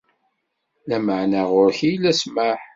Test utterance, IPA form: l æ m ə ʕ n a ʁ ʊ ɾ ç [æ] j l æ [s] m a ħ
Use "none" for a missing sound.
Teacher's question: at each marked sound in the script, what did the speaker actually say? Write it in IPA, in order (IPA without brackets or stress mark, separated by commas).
i, s